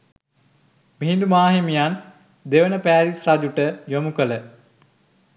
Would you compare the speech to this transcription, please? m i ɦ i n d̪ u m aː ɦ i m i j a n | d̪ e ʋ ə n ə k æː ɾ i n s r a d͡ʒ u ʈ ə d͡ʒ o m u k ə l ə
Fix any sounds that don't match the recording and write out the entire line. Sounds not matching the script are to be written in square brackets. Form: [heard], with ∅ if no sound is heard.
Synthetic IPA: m i ɦ i n d̪ u m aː ɦ i m i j a n | d̪ e ʋ ə n ə [p] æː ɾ i [∅] s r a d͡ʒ u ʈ ə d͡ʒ o m u k ə l ə